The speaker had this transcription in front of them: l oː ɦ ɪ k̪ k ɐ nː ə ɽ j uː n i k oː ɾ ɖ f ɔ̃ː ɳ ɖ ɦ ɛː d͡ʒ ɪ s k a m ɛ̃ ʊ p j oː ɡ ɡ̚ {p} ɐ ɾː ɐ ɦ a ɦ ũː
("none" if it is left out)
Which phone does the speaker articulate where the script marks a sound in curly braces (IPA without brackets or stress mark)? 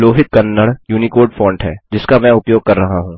k